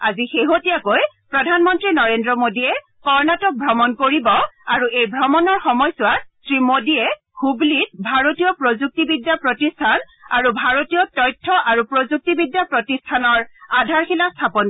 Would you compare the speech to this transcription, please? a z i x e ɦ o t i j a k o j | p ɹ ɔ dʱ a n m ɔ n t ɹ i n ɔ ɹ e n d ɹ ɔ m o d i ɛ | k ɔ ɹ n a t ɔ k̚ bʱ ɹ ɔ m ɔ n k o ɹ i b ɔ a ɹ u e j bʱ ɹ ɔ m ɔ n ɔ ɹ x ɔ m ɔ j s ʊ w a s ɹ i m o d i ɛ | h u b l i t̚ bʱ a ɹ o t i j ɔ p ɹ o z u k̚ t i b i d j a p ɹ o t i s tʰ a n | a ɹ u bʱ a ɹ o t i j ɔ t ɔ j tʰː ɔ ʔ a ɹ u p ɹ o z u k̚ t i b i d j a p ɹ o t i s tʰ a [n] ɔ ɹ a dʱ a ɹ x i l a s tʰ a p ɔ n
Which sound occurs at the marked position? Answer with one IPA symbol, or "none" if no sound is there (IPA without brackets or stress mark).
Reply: n